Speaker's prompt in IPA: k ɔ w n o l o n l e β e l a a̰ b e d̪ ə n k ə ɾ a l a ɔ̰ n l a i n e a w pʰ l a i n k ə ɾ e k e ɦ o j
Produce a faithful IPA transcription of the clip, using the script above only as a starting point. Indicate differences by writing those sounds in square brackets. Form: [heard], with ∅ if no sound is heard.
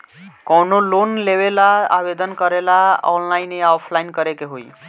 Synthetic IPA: k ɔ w n o l o n l e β e l a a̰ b e d̪ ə n k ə ɾ [e] l a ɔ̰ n l a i n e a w pʰ l a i n k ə ɾ e k e ɦ o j